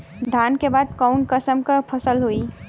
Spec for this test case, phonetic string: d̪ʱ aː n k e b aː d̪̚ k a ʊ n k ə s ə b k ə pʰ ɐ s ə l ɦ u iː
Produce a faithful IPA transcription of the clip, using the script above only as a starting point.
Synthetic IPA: d̪ʱ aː n k e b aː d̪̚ k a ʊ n k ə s ə m k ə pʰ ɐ s ə l ɦ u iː

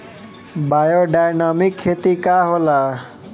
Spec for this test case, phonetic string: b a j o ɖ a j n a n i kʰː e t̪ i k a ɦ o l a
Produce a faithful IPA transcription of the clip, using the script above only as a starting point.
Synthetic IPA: b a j o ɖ a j n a m i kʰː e t̪ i k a ɦ o l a

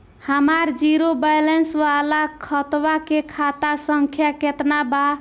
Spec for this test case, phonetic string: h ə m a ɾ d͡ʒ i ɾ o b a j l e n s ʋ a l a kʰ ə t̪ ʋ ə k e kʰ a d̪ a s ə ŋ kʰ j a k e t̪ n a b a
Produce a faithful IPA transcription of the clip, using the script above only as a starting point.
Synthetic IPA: h ə m a ɾ d͡ʒ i ɾ o b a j l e n s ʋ a l a kʰ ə t̪ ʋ a k e kʰ a t̪ a s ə ŋ kʰ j a k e t̪ n a b a

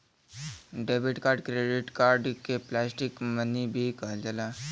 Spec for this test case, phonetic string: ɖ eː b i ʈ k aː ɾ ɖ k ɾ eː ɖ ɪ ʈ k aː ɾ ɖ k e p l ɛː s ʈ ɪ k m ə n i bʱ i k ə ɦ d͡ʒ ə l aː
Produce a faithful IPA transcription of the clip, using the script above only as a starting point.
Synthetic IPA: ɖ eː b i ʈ k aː ɾ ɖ k ɾ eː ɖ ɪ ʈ k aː ɾ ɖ k e p l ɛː s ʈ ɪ k m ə n i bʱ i k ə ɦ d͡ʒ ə l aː

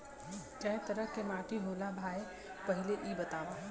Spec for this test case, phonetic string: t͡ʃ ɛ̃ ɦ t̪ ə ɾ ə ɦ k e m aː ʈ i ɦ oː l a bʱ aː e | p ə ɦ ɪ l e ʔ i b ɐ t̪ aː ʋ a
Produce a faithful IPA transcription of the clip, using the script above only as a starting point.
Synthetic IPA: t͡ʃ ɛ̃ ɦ t̪ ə ɾ ə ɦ k e m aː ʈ i ɦ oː l a bʱ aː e | p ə ɦ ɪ l e ʔ i b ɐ t̪ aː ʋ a

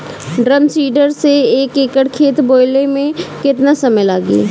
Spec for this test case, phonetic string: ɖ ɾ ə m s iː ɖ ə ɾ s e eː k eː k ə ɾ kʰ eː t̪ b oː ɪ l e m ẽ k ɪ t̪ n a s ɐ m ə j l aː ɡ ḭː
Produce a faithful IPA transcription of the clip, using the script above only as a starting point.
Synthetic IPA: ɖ ɾ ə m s iː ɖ ə ɾ s e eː k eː k ə ɽ kʰ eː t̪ b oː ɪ l e m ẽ k ɪ t̪ n a s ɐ m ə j l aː ɡ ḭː

